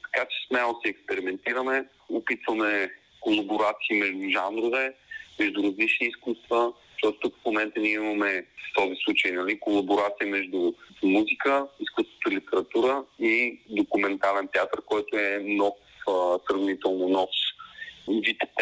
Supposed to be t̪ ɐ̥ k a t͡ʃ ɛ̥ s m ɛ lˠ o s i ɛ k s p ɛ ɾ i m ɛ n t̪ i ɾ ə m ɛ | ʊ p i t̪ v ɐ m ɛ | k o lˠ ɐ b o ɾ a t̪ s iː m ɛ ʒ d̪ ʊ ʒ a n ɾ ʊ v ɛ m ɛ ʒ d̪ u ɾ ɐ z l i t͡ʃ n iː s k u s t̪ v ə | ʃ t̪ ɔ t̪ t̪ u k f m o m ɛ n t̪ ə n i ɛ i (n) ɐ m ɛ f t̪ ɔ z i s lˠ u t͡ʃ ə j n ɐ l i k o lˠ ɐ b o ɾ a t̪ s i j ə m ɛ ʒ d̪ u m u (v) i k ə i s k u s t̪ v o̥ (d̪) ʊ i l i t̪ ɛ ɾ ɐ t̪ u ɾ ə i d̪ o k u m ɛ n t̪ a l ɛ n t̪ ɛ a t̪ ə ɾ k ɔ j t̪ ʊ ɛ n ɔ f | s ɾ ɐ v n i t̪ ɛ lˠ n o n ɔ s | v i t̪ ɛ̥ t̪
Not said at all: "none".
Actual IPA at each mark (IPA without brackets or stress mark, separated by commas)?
m, z, t̪